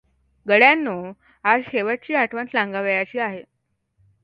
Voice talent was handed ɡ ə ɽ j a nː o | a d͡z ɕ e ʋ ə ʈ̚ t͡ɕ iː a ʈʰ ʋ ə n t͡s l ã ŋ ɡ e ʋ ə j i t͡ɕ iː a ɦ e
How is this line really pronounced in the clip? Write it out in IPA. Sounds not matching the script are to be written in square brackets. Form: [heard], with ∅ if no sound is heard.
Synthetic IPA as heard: ɡ ə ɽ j a nː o | a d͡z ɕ e ʋ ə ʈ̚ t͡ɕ iː a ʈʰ ʋ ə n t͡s l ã ŋ ɡ [a] ʋ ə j [a] t͡ɕ iː a ɦ e